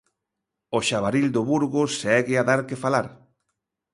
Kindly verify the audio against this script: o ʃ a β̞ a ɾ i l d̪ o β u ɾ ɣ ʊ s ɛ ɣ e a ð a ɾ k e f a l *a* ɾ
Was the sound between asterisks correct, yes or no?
yes